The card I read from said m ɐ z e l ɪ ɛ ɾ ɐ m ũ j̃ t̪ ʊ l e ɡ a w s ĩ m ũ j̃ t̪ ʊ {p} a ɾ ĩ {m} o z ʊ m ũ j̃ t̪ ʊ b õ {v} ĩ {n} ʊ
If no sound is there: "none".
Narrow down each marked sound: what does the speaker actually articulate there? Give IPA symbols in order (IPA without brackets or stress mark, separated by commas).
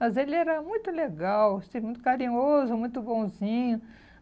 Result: k, ɲ, z, ɲ